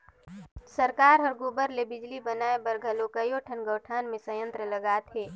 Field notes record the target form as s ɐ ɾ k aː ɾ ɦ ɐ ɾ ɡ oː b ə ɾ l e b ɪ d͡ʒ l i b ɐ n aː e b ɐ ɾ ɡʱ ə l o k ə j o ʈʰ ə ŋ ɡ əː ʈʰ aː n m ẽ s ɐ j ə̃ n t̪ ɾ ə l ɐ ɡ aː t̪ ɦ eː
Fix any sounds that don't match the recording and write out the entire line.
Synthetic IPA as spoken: s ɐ ɾ k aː ɾ ɦ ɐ ɾ ɡ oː b ə ɾ l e b ɪ d͡ʒ l i b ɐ n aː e b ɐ ɾ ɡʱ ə l o k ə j o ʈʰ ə n ɡ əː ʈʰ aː n m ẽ s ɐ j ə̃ n t̪ ɾ ə l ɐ ɡ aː t̪ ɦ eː

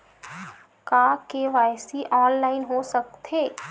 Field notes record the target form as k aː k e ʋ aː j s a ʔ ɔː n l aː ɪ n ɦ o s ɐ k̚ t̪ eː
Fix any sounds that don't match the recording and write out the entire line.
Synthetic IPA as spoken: k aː k e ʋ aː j s i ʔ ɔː n l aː ɪ n ɦ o s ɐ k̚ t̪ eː

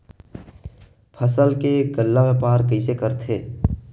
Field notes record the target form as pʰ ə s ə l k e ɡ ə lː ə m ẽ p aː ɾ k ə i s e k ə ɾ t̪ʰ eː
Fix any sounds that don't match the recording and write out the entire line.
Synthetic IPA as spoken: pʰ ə s ə l k e ɡ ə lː a m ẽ p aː ɾ k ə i s e k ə ɾ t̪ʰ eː

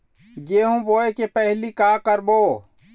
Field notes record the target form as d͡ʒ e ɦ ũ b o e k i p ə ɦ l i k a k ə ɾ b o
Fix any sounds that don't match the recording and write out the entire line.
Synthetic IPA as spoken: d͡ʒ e ɦ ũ b o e k e p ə ɦ l i k a k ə ɾ b o

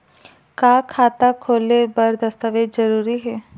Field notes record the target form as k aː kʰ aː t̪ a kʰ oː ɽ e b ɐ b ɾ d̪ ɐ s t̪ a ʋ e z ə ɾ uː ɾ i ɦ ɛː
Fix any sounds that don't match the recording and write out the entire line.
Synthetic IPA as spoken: k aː kʰ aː t̪ a kʰ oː l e b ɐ ɾ d̪ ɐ s t̪ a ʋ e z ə ɾ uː ɾ i ɦ ɛː

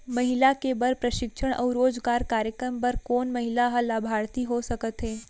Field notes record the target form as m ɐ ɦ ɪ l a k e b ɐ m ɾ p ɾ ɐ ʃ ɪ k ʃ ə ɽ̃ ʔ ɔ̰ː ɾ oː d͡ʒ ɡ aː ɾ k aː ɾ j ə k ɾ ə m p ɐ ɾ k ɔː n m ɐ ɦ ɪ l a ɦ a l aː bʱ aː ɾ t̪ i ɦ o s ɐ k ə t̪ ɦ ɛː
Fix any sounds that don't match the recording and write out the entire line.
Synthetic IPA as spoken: m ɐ ɦ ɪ l a k e b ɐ ɾ p ɾ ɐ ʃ ɪ k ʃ ə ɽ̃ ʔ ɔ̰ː ɾ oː d͡ʒ ɡ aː ɾ k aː ɾ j ə k ɾ ə m p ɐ ɾ k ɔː n m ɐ ɦ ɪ l a ɦ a l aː bʱ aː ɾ t̪ i ɦ o s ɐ k ə t̪ ɦ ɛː

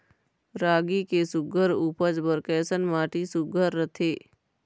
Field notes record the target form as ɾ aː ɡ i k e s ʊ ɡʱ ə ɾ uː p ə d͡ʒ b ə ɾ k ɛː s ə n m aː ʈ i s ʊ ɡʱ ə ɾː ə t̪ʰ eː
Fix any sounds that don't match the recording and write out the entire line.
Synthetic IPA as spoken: ɾ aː ɡ i k e s ʊ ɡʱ ə ɾ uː p ə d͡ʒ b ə ɾ k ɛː s ə n m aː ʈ i s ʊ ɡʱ ə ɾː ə t̪ʰ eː

